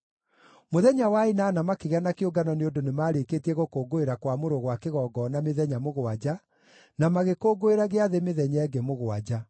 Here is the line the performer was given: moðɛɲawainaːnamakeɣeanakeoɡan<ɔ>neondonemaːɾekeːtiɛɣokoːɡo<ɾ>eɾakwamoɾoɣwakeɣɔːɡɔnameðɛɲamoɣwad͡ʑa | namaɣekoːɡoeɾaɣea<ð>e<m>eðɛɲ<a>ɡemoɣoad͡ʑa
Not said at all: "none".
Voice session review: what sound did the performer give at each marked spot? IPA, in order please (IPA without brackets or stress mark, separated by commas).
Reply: ɔ, none, ð, m, ɛ